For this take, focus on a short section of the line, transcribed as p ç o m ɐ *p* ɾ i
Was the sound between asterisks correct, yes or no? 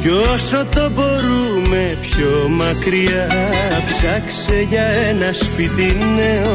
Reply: no